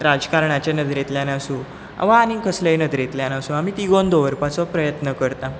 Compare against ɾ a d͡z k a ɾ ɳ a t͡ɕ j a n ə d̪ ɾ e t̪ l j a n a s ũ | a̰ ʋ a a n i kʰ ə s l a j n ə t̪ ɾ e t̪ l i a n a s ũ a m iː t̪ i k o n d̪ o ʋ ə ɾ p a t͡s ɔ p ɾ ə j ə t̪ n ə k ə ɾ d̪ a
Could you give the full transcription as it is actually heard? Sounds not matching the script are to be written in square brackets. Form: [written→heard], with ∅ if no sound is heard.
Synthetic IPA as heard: ɾ a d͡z k a ɾ ɳ a t͡ɕ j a n ə d̪ ɾ e t̪ l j a n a s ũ | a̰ ʋ a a n i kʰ ə s l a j n ə [t̪→d̪] ɾ e t̪ l [i→j] a n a s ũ a m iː t̪ i [k→ɡ] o n d̪ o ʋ ə ɾ p a t͡s ɔ p ɾ ə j ə t̪ n ə k ə ɾ [d̪→t̪] a